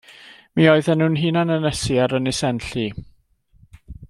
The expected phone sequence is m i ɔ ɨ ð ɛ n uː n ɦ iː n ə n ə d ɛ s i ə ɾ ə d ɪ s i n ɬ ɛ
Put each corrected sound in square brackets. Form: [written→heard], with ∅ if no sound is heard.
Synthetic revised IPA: m i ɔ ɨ ð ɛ n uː n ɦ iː n [ə→a] n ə [d→n] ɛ s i [ə→a] ɾ ə [d→n] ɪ s [i→ɛ] n ɬ [ɛ→i]